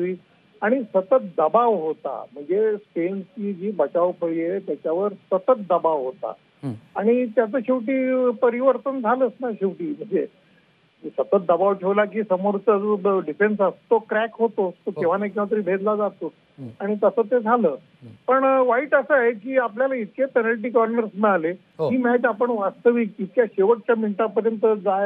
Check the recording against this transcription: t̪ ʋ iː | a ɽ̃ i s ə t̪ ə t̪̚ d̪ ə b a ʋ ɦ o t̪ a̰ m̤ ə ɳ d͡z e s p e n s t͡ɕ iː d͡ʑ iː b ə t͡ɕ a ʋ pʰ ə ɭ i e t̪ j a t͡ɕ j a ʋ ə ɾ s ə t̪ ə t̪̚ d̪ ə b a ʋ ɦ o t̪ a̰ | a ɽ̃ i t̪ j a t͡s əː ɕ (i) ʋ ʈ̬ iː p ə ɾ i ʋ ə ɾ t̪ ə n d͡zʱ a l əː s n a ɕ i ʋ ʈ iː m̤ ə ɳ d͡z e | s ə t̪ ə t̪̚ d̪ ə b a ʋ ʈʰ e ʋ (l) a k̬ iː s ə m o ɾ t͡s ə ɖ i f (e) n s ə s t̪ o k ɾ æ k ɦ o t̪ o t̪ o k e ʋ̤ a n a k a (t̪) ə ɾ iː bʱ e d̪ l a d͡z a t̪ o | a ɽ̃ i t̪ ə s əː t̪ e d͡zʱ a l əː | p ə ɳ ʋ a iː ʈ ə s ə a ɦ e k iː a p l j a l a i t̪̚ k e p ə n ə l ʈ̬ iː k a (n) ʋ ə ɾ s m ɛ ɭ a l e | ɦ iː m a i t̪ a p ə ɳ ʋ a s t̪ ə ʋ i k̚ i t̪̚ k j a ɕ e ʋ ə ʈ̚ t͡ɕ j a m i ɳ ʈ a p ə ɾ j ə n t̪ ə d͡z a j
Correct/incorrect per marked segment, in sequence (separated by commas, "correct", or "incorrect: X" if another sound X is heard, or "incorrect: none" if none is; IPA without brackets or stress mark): correct, correct, correct, correct, correct